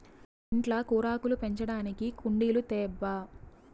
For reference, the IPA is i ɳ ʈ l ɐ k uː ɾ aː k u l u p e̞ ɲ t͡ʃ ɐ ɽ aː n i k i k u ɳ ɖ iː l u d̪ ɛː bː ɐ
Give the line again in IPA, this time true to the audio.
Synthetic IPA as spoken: i ɳ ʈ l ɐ k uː ɾ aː k u l u p e̞ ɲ t͡ʃ ɐ ɽ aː n i k i k u ɳ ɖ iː l u t̪ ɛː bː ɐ